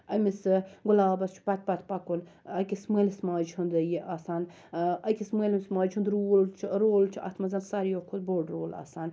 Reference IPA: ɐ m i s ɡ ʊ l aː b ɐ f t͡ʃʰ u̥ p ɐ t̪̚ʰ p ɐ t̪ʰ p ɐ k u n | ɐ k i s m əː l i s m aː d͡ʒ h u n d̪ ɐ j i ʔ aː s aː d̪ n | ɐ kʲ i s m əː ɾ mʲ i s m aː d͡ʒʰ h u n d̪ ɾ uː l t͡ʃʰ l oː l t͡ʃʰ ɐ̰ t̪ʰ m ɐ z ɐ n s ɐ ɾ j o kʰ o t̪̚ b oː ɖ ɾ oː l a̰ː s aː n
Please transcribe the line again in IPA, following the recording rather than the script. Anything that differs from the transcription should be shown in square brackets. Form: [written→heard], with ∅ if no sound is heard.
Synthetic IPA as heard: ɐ m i s ɡ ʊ l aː b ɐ [f→s] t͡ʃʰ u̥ p ɐ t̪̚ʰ p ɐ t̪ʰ p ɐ k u n | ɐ k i s m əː l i s m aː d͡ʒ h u n d̪ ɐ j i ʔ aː s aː [d̪→∅] n | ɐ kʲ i s m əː [ɾ→l] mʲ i s m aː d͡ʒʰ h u n d̪ ɾ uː l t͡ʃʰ [l→ɾ] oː l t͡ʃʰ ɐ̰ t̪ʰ m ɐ z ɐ n s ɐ ɾ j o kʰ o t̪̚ b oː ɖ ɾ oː l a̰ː s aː n